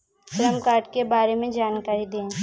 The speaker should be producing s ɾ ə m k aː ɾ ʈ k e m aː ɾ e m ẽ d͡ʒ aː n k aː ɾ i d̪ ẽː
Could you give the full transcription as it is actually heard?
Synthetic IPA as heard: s ɾ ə m k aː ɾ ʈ k e b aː ɾ e m ẽ d͡ʒ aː n k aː ɾ i d̪ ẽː